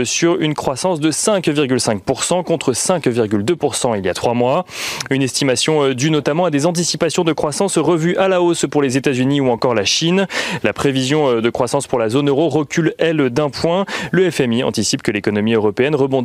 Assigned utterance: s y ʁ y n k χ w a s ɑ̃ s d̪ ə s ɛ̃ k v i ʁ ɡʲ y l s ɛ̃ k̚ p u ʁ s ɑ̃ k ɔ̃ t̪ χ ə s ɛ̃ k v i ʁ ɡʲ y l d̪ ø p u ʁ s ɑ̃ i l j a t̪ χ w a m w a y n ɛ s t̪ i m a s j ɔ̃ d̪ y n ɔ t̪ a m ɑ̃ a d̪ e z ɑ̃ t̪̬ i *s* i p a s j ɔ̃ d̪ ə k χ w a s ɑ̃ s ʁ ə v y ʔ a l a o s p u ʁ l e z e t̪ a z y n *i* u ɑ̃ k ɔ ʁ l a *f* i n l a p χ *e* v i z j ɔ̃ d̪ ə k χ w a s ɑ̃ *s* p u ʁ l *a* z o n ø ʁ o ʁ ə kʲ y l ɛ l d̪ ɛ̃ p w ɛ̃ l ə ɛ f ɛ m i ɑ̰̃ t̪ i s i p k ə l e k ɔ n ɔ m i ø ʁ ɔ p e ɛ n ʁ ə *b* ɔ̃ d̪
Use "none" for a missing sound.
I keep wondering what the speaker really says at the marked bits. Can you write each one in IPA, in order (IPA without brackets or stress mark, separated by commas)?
s, i, ʃ, e, s, a, b